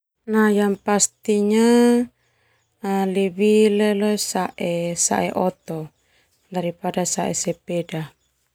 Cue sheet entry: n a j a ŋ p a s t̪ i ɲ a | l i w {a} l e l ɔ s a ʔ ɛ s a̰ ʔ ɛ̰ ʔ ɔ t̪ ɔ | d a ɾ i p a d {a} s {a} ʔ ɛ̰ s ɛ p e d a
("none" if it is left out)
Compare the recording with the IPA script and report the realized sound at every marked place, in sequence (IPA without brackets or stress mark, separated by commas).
i, a, a